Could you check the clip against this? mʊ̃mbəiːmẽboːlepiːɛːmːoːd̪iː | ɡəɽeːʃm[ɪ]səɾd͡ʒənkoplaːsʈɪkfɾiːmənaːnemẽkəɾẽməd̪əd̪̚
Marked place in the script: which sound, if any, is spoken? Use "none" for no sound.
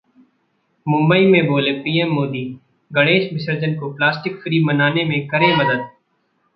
ɪ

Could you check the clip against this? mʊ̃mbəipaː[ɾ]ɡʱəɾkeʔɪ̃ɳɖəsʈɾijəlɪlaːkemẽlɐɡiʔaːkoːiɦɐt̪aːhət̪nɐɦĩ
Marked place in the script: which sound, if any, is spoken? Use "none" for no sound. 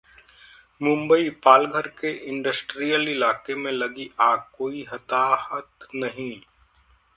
l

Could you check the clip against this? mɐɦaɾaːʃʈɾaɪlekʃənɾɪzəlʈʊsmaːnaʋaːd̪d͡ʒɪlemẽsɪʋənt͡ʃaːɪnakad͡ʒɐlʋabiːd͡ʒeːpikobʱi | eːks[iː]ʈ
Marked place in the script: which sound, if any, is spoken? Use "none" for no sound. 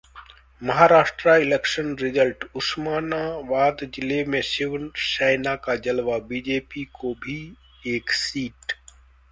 iː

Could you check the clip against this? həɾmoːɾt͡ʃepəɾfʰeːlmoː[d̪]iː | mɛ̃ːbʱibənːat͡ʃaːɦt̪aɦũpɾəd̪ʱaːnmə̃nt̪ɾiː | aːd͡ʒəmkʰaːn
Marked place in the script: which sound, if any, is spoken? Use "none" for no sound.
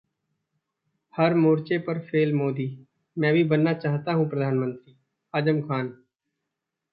d̪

